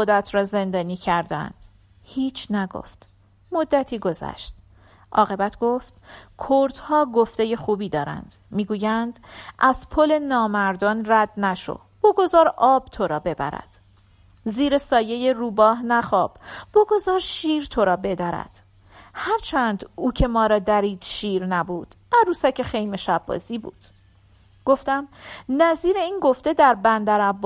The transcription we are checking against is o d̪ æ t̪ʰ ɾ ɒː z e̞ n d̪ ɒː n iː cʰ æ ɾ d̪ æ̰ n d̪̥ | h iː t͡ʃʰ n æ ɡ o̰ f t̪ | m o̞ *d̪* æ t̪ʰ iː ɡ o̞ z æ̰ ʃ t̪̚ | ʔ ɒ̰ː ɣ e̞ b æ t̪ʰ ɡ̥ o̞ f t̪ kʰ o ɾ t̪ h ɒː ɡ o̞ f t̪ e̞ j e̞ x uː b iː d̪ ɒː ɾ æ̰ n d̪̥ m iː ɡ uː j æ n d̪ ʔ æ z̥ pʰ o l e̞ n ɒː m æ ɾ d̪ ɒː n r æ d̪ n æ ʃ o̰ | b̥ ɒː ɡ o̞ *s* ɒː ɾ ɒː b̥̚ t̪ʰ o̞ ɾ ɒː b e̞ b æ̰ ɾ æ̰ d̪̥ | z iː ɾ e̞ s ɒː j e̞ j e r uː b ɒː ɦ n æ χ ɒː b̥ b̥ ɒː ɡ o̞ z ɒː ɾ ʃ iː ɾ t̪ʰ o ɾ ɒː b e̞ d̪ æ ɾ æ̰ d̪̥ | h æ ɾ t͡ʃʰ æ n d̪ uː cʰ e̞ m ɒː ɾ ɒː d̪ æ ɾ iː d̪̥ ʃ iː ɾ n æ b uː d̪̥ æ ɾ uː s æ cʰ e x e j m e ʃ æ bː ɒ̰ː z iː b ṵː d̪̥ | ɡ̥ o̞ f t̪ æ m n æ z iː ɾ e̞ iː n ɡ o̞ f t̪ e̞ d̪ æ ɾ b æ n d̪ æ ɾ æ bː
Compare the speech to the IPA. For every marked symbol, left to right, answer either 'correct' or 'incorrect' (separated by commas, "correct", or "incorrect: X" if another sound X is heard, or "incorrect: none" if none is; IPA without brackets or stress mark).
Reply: incorrect: d̪ː, incorrect: z